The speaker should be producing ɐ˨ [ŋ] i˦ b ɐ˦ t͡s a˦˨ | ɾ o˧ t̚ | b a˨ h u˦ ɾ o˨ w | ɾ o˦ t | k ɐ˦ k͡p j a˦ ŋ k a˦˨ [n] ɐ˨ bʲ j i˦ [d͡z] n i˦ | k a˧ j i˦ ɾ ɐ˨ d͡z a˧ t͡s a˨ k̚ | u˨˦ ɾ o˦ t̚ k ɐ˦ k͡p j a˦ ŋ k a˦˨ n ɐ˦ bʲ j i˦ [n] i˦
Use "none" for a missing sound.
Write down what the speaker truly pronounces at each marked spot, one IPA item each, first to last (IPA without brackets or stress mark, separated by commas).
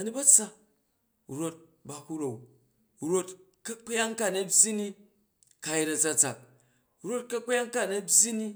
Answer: n, n, none, n